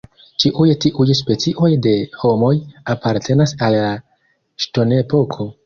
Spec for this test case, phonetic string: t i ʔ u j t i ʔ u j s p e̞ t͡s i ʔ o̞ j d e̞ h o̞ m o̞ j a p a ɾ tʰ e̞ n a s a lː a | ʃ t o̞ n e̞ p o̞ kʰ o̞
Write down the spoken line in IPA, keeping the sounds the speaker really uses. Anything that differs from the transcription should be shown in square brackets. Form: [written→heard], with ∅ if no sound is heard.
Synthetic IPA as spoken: [t→t͡ʃ] i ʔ u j t i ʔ u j s p e̞ t͡s i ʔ o̞ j d e̞ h o̞ m o̞ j a p a ɾ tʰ e̞ n a s a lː a | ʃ t o̞ n e̞ p o̞ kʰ o̞